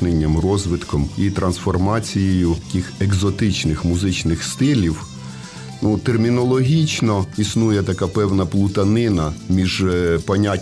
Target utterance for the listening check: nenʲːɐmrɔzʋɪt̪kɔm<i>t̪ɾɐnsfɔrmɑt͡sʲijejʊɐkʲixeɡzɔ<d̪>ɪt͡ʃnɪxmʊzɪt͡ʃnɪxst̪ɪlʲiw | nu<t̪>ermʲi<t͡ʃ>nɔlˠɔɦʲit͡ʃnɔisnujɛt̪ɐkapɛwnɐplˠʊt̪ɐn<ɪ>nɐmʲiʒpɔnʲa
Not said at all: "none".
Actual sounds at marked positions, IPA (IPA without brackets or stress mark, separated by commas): i, t̪, t̪, none, ɪ